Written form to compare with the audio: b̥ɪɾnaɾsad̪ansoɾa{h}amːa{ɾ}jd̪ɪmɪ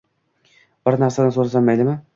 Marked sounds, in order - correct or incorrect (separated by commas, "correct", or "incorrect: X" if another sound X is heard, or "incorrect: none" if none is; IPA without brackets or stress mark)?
incorrect: s, incorrect: none